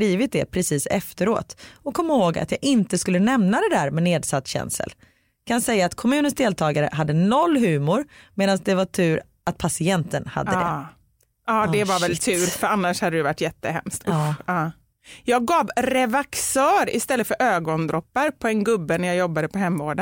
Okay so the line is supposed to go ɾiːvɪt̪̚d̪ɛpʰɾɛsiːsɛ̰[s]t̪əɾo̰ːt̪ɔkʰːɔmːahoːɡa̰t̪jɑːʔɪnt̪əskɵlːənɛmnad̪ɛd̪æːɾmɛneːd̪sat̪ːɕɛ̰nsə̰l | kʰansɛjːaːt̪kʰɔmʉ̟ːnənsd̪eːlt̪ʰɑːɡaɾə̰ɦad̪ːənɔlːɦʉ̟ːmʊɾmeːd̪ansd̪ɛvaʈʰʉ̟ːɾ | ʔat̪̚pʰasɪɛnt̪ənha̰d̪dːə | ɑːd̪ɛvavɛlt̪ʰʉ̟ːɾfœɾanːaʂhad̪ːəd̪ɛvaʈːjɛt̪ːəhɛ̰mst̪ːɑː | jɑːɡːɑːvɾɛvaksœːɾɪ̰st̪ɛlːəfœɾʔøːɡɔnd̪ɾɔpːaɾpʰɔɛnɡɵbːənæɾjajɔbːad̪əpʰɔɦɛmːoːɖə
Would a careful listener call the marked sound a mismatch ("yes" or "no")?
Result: yes